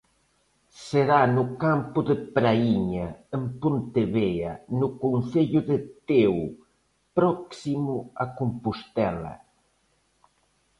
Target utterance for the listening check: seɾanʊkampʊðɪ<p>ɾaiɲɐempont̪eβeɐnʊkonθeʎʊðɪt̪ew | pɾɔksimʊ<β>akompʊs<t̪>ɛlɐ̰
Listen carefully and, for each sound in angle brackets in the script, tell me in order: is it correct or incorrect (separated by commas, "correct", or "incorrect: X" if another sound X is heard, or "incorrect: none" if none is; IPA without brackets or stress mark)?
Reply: correct, incorrect: none, correct